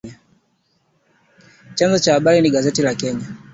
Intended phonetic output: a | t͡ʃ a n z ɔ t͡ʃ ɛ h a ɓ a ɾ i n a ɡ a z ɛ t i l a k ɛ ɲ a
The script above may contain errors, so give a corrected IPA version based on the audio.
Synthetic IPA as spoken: a | t͡ʃ a n z ɔ t͡ʃ a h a ɓ a ɾ i n i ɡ a z ɛ t i l a k ɛ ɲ a